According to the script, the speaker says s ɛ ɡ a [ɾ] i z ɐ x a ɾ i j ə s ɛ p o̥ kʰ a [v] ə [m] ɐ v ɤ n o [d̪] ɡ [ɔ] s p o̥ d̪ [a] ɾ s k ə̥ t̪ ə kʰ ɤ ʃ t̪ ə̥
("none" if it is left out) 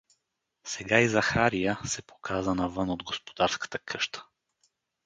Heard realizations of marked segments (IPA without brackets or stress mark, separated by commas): none, z, n, d̪, o, a